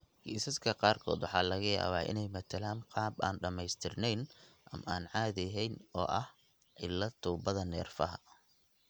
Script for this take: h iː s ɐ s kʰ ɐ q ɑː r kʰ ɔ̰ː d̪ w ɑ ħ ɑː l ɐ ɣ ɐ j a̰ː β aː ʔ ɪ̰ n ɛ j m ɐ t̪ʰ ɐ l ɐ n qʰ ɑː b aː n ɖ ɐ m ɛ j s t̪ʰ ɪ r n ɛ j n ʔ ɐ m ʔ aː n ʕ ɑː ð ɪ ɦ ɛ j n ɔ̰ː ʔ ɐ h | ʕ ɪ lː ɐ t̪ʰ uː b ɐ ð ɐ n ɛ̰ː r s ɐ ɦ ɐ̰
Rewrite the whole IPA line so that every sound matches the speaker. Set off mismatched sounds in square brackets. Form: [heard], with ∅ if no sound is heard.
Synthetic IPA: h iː s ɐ s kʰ ɐ q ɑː r kʰ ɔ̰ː d̪ w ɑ ħ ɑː l ɐ ɣ ɐ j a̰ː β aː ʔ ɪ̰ n ɛ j m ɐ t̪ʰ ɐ l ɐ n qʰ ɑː b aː n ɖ ɐ m ɛ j s t̪ʰ ɪ r n ɛ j n ʔ ɐ m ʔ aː n ʕ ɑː ð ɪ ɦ ɛ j n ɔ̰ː ʔ ɐ h | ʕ ɪ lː ɐ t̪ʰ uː b ɐ ð ɐ n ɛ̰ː r [f] ɐ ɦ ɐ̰